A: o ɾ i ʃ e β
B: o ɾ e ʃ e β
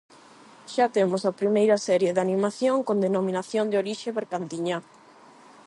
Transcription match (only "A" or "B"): A